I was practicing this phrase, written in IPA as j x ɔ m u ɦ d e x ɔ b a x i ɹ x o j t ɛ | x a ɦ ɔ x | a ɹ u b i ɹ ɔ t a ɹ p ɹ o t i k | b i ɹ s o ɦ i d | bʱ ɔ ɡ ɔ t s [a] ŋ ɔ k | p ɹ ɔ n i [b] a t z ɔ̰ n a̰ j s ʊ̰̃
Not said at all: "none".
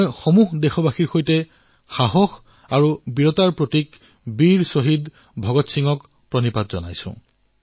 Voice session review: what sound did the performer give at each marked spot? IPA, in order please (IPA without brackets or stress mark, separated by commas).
i, p